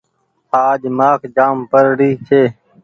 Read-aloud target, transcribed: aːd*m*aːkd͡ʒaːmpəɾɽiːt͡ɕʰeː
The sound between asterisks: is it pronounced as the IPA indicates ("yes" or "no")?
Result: yes